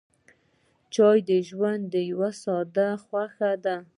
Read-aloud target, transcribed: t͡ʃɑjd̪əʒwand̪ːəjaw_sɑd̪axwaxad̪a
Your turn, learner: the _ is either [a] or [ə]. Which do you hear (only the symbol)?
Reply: a